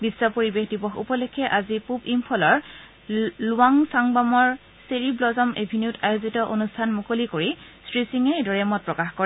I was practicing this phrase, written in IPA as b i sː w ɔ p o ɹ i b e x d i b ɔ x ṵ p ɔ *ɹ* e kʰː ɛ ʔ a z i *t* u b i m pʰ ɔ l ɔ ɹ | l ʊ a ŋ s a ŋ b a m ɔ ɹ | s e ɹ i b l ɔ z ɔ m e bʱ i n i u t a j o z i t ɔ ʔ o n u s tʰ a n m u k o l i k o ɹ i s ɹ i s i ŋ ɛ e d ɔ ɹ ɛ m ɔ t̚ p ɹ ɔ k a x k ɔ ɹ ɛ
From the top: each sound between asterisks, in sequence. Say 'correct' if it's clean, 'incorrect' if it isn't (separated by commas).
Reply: incorrect, incorrect